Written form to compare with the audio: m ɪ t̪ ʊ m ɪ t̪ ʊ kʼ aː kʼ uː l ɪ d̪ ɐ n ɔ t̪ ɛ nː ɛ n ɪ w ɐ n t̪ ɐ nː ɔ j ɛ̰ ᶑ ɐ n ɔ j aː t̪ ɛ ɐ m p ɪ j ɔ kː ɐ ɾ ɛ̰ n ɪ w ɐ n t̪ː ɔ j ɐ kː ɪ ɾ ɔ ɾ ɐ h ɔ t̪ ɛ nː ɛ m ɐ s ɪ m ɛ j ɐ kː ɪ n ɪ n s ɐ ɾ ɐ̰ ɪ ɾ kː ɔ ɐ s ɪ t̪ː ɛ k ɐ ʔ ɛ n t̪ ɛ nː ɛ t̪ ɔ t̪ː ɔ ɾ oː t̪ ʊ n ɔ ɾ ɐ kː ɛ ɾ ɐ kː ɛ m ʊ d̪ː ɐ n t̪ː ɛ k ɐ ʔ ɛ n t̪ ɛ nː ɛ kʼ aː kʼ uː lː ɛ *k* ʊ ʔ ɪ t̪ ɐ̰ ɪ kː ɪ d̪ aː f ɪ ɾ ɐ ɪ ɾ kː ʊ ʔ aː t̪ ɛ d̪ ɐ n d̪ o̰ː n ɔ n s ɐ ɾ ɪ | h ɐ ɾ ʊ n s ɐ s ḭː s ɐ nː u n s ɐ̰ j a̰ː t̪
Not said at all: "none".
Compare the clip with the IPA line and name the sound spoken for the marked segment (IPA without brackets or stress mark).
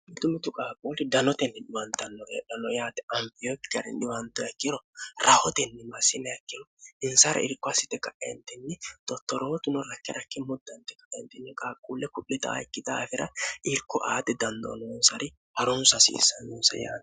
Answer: k